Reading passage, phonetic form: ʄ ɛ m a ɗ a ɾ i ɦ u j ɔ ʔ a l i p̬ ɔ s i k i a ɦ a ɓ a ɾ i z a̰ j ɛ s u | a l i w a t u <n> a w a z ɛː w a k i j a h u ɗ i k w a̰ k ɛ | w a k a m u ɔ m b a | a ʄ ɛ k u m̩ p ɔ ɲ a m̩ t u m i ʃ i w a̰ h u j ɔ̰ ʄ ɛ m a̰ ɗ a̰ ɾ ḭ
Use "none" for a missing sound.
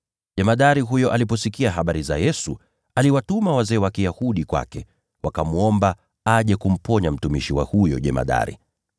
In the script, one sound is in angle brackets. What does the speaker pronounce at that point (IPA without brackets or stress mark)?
m